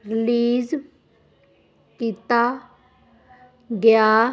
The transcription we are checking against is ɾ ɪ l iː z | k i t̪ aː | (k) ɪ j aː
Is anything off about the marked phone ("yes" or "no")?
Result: yes